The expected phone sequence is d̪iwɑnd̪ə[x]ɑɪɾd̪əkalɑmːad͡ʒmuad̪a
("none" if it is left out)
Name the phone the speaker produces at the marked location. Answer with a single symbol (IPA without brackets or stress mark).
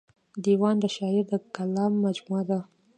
ʃ